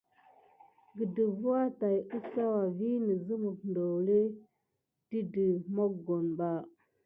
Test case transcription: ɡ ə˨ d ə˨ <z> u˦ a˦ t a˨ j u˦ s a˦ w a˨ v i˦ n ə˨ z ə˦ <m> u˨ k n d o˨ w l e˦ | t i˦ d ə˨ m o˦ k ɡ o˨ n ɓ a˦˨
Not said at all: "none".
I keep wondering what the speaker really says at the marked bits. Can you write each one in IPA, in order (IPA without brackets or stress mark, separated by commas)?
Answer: v, m